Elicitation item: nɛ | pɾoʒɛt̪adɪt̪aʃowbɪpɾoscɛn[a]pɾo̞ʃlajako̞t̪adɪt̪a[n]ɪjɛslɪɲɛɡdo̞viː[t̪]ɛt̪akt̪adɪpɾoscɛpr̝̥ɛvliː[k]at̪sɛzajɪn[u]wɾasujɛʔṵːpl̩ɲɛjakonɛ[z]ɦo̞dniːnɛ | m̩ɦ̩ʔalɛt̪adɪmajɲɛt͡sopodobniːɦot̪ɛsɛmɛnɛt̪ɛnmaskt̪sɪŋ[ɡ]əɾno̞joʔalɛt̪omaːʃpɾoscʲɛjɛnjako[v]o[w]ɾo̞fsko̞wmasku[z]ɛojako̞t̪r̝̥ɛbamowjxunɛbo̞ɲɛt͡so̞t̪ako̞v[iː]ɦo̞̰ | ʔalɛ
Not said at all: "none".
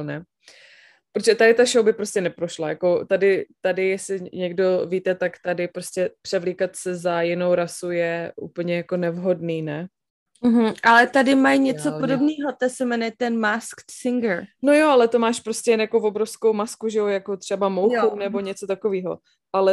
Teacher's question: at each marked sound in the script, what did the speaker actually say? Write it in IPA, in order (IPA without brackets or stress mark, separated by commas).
ɛ, d, t̪, k, o, v, ɡ, v, b, ʒ, iː